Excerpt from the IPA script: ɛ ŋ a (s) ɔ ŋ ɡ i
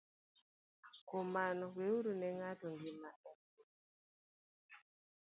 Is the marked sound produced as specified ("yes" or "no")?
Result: no